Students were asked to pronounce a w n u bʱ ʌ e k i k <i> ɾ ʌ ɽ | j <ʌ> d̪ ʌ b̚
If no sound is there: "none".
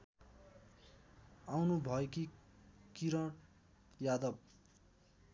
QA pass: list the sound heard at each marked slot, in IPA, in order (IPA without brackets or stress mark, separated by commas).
i, a